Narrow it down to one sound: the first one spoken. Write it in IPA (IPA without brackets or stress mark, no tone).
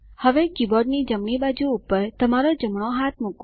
h